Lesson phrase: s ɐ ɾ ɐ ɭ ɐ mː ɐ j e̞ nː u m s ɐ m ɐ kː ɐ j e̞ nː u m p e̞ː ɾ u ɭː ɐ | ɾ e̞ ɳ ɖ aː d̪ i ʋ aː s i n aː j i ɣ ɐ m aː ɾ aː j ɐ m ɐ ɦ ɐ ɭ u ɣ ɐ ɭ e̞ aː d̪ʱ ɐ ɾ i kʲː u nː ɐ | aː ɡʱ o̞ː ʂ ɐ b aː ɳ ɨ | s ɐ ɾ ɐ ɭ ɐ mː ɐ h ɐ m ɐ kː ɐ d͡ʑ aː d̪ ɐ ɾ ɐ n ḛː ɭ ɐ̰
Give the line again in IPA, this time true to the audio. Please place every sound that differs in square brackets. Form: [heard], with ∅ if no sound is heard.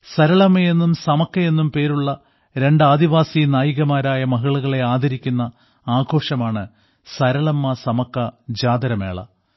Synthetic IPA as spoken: s ɐ ɾ ɐ ɭ ɐ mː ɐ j e̞ nː u m s ɐ m ɐ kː ɐ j e̞ nː u m p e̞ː ɾ u ɭː ɐ | ɾ e̞ ɳ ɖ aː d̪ i ʋ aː s i n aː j i ɣ ɐ m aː ɾ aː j ɐ m ɐ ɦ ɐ ɭ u ɣ ɐ ɭ e̞ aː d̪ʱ ɐ ɾ i kʲː u nː ɐ | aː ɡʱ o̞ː ʂ ɐ [m] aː ɳ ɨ | s ɐ ɾ ɐ ɭ ɐ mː ɐ [s] ɐ m ɐ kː ɐ d͡ʑ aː d̪ ɐ ɾ ɐ [m] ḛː ɭ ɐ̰